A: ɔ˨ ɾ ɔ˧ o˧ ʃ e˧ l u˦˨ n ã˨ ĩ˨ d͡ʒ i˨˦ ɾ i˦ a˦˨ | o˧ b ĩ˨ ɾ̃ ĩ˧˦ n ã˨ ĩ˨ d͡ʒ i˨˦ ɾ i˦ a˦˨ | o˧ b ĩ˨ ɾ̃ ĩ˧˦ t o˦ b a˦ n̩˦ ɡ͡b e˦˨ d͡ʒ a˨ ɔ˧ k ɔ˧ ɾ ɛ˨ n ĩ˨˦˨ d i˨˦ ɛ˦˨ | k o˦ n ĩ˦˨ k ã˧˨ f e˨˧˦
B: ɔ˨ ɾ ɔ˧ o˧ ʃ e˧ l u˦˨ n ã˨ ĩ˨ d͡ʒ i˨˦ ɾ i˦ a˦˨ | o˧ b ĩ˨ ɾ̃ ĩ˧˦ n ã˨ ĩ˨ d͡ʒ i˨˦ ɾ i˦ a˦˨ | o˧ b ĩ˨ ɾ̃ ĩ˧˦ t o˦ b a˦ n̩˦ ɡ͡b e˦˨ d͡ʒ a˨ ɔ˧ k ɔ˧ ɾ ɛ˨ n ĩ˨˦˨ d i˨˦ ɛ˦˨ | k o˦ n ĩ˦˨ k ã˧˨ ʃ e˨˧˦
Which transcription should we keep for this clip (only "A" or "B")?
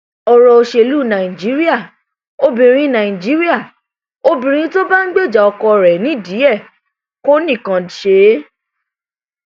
B